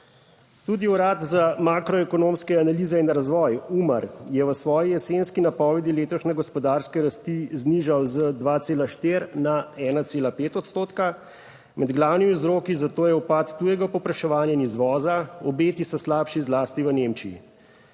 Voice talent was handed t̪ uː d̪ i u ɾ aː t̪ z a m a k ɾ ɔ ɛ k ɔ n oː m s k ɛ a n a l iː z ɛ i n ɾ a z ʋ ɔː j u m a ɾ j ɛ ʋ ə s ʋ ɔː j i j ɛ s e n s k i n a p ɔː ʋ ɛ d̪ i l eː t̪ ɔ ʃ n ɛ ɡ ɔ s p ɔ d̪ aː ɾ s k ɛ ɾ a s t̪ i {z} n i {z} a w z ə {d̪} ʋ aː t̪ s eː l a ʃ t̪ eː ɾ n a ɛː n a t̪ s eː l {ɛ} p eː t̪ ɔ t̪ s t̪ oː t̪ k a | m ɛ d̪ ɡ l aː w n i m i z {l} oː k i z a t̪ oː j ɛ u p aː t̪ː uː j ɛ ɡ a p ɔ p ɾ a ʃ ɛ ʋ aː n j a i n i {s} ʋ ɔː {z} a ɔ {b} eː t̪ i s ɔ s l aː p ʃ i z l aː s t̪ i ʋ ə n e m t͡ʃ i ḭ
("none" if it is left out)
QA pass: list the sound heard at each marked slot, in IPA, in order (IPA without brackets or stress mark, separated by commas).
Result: z, ʒ, d̪, a, ɾ, z, z, b